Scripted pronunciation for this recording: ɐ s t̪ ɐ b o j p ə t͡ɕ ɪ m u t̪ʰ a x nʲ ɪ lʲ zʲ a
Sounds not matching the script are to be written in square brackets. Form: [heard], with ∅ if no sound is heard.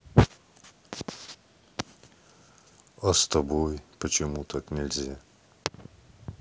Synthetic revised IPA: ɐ s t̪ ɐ b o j p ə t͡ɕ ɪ m u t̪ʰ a [k] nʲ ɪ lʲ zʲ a